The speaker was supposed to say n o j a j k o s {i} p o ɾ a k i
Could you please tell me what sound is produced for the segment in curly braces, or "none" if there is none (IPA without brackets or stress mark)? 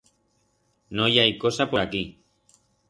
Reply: a